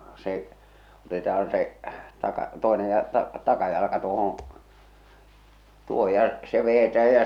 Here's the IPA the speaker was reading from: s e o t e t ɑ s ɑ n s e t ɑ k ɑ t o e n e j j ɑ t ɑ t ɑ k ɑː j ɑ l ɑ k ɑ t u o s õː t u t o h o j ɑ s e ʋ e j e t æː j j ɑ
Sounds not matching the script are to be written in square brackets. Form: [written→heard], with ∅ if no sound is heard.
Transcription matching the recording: s e o t e t ɑ [s→h] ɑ n s e t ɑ k ɑ t o e n e j j ɑ t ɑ t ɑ k [ɑː→ɑ] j ɑ l ɑ k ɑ t u o [s→h] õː t u [t→∅] o h o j ɑ s e ʋ e j e t æː j j ɑ